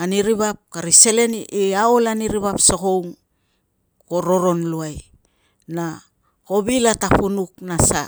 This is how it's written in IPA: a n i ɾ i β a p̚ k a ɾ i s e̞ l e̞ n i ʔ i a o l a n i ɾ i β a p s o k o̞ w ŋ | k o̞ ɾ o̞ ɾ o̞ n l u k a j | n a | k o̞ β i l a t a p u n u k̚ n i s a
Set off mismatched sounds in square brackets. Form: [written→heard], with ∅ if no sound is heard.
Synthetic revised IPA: a n i ɾ i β a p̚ k a ɾ i s e̞ l e̞ n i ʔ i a o l a n i ɾ i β a p s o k o̞ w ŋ | k o̞ ɾ o̞ ɾ o̞ n l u [k→∅] a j | n a | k o̞ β i l a t a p u n u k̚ n [i→a] s a